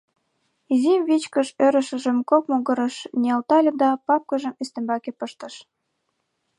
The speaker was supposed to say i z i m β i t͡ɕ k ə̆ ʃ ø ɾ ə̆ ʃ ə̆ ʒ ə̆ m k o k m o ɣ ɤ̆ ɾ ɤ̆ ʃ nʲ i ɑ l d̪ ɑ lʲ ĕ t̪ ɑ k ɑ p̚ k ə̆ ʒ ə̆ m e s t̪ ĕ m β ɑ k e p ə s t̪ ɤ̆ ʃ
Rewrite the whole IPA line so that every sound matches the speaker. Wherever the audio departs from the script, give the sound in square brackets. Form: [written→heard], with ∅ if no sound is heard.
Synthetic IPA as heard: i z i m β i t͡ɕ k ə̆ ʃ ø ɾ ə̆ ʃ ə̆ ʒ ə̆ m k o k m o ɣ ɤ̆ ɾ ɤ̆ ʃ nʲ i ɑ l [d̪→t̪] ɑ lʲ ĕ [t̪→d̪] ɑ [k→p] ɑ p̚ k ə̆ ʒ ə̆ m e s t̪ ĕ m [β→b] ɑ k e p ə [s→ʃ] t̪ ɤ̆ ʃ